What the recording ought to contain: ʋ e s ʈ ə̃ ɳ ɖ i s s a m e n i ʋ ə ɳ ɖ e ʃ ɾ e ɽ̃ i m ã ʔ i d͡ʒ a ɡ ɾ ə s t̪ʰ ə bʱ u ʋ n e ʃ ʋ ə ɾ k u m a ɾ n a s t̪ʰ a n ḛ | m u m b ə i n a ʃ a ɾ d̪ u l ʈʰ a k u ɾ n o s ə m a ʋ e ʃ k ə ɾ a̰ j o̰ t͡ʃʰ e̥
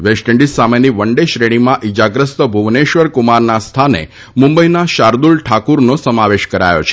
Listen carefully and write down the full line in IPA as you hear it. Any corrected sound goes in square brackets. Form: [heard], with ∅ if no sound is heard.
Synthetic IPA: ʋ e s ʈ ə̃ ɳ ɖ i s s a m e n i ʋ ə ɳ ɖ e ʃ ɾ e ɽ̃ i m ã ʔ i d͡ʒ a ɡ ɾ ə s [t̪] ə bʱ u ʋ n e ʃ ʋ ə ɾ k u m a ɾ n a s t̪ʰ a n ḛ | m u m b ə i n a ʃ a ɾ d̪ u l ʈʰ a k u ɾ n o s ə m a ʋ e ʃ k ə ɾ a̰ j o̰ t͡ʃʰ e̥

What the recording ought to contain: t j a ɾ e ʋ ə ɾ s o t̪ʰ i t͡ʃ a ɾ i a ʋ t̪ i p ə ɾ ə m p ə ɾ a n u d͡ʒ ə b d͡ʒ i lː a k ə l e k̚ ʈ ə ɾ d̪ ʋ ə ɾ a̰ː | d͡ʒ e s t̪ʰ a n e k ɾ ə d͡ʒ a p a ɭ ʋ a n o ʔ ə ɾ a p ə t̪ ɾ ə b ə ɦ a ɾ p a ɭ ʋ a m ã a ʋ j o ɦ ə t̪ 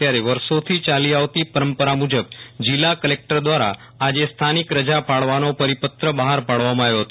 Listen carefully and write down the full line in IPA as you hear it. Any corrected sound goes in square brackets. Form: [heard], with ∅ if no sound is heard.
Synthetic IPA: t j a ɾ e ʋ ə ɾ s o t̪ʰ i t͡ʃ a [l] i a ʋ t̪ i p ə ɾ ə m p ə ɾ a [m] u d͡ʒ ə b d͡ʒ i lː a k ə l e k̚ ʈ ə ɾ d̪ ʋ [a] ɾ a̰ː | d͡ʒ e s t̪ʰ a n [i] k ɾ ə d͡ʒ a p a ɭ ʋ a n o [p] ə ɾ [i] p ə t̪ ɾ ə b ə ɦ a ɾ p a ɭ ʋ a m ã a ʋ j o ɦ ə t̪

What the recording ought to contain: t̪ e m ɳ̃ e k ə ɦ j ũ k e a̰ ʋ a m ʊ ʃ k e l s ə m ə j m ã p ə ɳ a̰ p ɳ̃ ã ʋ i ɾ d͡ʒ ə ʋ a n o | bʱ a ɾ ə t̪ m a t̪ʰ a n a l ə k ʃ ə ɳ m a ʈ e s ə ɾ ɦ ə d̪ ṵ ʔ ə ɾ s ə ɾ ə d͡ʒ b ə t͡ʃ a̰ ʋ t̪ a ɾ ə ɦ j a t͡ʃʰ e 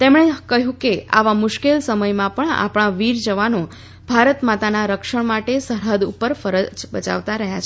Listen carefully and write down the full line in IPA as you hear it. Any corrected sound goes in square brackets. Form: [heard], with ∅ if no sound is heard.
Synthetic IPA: t̪ e m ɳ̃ e k ə ɦ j ũ k e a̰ ʋ a m ʊ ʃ k e l s ə m ə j m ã p ə ɳ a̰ p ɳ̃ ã ʋ i ɾ d͡ʒ ə ʋ a n o | bʱ a ɾ ə t̪ m a [t̪] a n a [ɾ] ə k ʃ ə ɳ m a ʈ e s ə ɾ ɦ ə d̪ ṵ [p] ə ɾ [f] ə ɾ ə d͡ʒ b ə t͡ʃ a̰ ʋ t̪ a ɾ ə ɦ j a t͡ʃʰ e

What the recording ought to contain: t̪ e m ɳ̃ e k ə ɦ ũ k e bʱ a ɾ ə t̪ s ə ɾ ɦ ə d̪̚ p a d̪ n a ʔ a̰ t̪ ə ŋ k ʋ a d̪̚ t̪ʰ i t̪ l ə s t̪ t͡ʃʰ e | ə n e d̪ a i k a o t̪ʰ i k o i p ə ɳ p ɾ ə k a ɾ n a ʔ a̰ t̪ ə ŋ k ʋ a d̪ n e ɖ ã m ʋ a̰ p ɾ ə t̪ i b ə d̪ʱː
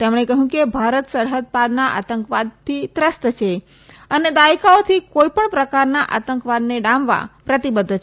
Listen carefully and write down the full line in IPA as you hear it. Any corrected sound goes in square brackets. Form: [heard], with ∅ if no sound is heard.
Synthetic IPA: t̪ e m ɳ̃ e k ə ɦ ũ k e bʱ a ɾ ə t̪ s ə ɾ ɦ ə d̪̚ p a d̪ n a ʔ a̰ t̪ ə ŋ k ʋ a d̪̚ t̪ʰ i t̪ [ɾ] ə s t̪ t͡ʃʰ e | ə n e d̪ a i k a o t̪ʰ i k o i p ə ɳ p ɾ ə k a ɾ n a ʔ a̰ t̪ ə ŋ k ʋ a d̪ n e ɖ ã m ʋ a̰ p ɾ ə t̪ i b ə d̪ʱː

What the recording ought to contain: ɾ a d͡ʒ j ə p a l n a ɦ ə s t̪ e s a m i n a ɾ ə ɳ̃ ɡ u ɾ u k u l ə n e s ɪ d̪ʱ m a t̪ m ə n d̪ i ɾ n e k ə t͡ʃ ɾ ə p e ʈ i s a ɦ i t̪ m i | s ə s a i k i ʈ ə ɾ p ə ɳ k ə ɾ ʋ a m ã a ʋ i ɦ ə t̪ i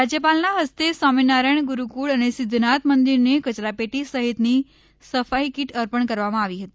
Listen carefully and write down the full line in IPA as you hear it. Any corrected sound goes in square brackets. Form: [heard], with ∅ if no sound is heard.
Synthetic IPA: ɾ a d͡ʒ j ə p a l n a ɦ ə s t̪ e s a m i n a ɾ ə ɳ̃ ɡ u ɾ u k u [ɭ] ə n e s ɪ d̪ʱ [n] a t̪ m ə n d̪ i ɾ n e k ə t͡ʃ ɾ [a] p e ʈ i s [ə] ɦ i t̪ [n] i | s ə [f] a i k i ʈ ə ɾ p ə ɳ k ə ɾ ʋ a m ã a ʋ i ɦ ə t̪ i

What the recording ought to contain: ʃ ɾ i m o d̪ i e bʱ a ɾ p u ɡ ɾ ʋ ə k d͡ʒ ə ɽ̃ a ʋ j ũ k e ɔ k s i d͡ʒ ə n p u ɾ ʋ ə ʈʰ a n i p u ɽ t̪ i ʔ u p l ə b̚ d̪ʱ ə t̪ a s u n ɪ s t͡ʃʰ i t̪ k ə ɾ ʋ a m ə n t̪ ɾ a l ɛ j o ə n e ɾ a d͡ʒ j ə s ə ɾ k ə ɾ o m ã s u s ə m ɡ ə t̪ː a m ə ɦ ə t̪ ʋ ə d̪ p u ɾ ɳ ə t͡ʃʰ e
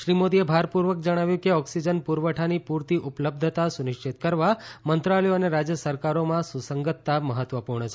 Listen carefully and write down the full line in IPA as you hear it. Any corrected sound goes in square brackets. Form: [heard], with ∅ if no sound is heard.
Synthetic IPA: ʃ ɾ i m o d̪ i e bʱ a ɾ p u [∅] ɾ ʋ ə k d͡ʒ ə ɽ̃ a ʋ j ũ k e ɔ k s i d͡ʒ ə n p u ɾ ʋ ə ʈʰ a n i p u [ɾ] t̪ i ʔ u p l ə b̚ d̪ʱ ə t̪ a s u n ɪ [ʃ] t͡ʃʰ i t̪ k ə ɾ ʋ a m ə n t̪ ɾ a l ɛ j o ə n e ɾ a d͡ʒ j ə s ə ɾ k [a] ɾ o m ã s u s ə [ŋ] ɡ ə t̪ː a m ə ɦ ə t̪ ʋ ə [∅] p u ɾ ɳ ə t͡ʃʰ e

